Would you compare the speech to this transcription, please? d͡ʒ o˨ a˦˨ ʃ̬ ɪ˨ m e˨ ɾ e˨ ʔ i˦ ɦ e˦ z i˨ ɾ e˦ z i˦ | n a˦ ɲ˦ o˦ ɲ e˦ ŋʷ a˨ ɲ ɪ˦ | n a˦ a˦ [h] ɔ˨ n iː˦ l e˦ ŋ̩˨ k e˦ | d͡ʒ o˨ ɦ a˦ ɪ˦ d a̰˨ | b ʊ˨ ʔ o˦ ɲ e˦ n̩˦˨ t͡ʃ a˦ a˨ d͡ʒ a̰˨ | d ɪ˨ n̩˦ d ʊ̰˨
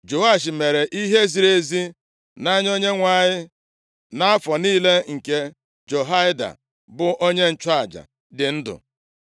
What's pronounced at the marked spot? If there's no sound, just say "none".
f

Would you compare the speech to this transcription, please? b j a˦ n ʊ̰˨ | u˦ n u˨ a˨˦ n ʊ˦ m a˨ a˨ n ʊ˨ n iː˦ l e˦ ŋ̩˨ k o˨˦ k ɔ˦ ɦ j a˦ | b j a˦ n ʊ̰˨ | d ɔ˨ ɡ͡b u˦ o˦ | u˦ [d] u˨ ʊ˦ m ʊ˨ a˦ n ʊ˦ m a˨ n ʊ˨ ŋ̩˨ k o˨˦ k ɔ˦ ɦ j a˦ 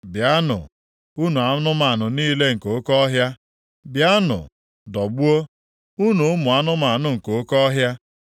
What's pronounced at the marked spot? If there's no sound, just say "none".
n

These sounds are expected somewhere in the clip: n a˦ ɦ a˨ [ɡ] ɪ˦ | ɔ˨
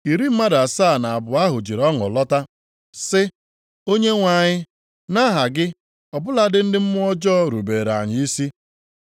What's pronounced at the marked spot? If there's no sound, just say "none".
ɡ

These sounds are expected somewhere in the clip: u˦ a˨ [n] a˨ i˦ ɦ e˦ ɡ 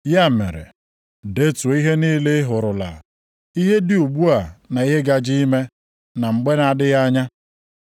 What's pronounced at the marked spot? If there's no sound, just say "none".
n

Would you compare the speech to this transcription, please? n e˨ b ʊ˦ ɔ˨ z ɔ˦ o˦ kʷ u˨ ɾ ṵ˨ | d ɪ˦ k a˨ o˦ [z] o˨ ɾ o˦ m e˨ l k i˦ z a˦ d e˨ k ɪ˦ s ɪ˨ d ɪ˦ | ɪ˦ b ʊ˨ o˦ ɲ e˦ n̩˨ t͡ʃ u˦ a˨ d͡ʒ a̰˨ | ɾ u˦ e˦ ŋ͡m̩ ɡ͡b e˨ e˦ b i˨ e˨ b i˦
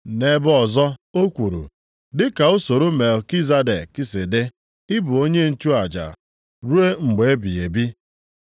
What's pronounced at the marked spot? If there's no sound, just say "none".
s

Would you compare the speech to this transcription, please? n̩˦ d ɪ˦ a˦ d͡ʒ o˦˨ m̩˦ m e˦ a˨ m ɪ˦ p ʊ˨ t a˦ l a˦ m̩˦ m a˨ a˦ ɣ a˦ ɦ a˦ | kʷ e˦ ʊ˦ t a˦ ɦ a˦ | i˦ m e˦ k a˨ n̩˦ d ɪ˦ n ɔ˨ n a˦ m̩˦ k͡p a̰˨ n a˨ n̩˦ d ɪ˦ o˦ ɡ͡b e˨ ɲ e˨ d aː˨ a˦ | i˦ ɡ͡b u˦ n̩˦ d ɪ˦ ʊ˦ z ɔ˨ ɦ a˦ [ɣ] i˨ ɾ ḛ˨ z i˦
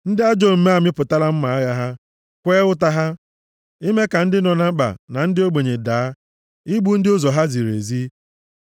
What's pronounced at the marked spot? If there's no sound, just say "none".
z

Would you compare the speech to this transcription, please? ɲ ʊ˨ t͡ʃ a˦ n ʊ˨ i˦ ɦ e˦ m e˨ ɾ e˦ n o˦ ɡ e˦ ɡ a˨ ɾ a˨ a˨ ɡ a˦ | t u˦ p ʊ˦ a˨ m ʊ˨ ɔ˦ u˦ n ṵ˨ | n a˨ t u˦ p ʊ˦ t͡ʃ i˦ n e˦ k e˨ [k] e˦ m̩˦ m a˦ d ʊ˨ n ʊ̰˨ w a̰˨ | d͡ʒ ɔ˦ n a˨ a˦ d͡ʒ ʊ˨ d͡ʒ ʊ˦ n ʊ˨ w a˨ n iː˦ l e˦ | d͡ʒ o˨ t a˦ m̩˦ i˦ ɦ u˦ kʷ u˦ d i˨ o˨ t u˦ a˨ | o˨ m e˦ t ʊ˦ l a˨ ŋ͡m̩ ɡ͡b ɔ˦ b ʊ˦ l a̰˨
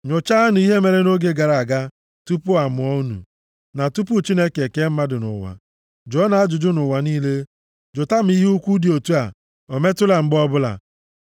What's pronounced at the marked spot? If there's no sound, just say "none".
k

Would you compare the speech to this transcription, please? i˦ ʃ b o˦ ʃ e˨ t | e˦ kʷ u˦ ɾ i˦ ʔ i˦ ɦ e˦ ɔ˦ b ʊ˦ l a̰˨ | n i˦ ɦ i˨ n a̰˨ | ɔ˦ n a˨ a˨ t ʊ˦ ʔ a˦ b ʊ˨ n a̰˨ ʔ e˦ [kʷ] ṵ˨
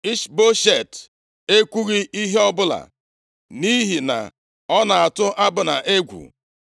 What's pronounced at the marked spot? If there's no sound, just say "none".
ɡʷ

